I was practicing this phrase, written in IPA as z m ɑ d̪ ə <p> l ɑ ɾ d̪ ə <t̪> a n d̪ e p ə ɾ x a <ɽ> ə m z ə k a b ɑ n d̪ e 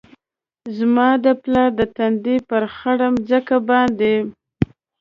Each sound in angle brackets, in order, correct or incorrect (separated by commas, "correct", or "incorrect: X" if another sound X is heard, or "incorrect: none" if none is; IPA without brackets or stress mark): correct, correct, correct